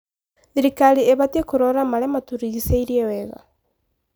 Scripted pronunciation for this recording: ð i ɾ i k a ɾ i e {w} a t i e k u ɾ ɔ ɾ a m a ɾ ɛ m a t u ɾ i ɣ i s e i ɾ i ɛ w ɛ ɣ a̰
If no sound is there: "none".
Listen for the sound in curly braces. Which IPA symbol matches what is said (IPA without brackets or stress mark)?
β